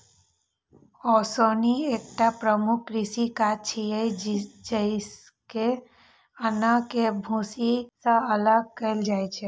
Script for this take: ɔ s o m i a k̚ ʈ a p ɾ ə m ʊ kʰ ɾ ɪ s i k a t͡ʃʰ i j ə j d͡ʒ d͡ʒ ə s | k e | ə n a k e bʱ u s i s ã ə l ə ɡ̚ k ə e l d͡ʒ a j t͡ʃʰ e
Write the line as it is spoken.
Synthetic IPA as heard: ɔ s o n i e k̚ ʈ a p ɾ ə m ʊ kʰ ɾ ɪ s i k a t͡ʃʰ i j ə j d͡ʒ d͡ʒ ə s | k e | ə n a k e bʱ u s i s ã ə l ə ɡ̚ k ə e l d͡ʒ a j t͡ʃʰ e